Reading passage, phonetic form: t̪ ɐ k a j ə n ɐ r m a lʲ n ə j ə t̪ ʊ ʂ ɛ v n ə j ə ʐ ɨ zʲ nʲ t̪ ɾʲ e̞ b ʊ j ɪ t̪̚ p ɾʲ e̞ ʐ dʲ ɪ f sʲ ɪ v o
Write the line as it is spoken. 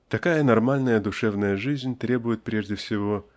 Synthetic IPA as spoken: t̪ ɐ k a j ə n ɐ r m a lʲ n ə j ə d̪ ʊ ʂ ɛ v n ə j ə ʐ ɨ zʲ nʲ t̪ ɾʲ e̞ b ʊ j ɪ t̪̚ p ɾʲ e̞ ʐ dʲ ɪ f sʲ ɪ v o